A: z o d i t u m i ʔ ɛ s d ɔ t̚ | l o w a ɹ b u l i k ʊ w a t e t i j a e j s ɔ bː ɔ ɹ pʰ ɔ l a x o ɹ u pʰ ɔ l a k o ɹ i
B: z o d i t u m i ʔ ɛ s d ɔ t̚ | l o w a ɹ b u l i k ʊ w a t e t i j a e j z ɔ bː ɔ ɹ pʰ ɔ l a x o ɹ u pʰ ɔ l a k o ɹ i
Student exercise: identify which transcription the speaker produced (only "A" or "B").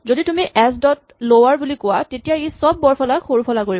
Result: A